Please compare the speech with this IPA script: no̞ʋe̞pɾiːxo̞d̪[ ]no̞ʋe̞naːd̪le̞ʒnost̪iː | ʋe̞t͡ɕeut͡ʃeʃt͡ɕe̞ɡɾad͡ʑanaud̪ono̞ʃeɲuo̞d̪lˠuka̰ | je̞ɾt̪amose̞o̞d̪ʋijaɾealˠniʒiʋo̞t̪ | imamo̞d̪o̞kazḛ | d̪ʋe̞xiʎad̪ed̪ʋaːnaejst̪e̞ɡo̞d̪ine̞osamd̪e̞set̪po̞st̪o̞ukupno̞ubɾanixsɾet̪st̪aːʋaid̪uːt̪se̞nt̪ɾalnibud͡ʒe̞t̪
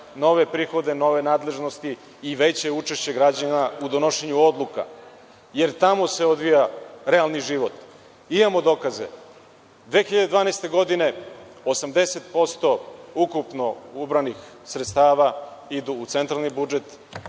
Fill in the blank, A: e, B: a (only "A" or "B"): A